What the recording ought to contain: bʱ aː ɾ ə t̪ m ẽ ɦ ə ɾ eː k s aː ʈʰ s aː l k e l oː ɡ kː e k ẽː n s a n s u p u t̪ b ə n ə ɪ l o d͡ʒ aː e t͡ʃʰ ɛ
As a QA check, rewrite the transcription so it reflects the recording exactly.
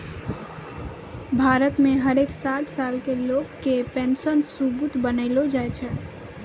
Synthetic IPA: bʱ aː ɾ ə t̪ m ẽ ɦ ə ɾ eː k s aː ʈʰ s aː l k e l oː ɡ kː e p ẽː n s ə n s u b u t̪ b ə n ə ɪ l o d͡ʒ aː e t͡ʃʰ ɛ

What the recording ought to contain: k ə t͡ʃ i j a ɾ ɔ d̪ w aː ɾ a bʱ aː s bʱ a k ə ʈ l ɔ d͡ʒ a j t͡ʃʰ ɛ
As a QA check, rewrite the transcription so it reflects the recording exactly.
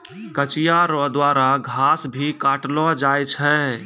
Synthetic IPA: k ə t͡ʃ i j a ɾ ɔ d̪ w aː ɾ a ɡʱ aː s bʱ i k a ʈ l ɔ d͡ʒ a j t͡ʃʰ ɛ

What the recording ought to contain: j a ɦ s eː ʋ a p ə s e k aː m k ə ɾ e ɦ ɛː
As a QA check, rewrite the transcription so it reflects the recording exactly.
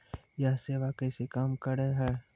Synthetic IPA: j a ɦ s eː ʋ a k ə s e k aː m k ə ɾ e ɦ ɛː

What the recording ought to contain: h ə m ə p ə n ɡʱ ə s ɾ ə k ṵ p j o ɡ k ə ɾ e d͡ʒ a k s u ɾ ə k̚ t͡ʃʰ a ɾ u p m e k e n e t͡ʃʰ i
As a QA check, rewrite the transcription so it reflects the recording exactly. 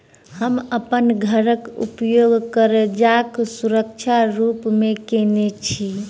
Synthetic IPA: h ə m ə p ə n ɡʱ ə ɾ ə k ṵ p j o ɡ k ə ɾ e d͡ʒ a k s u ɾ ə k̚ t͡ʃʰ a ɾ u p m e k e n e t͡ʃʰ i

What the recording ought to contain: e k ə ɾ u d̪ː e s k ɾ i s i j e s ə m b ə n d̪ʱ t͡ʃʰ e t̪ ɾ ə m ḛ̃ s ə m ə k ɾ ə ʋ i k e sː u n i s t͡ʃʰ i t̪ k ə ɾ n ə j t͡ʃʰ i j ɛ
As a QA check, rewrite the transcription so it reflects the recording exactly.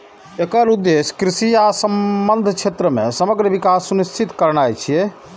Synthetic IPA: e k ə ɾ u d̪ː e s k ɾ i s i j a s ə m b ə n d̪ʱ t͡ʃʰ e t̪ ɾ ə m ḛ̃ s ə m ə ɡ ɾ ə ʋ i k a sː u n i s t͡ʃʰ i t̪ k ə ɾ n a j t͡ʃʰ i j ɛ

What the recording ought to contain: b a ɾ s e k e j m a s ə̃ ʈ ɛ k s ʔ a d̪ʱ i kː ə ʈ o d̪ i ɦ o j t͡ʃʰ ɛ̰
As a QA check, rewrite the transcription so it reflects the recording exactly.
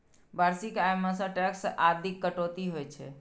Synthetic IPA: b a ɾ s i k a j m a s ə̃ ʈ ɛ k s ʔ a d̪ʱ i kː ə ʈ o t̪ i ɦ o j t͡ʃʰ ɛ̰

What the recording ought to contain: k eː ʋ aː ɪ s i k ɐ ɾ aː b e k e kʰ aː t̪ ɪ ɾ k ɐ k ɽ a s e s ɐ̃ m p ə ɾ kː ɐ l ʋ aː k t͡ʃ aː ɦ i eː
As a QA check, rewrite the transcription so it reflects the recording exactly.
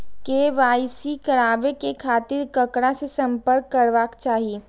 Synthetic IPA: k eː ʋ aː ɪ s i k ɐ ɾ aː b e k e kʰ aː t̪ ɪ ɾ k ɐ k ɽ a s e s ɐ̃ m p ə ɾ kː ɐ ɾ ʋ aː k t͡ʃ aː ɦ i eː

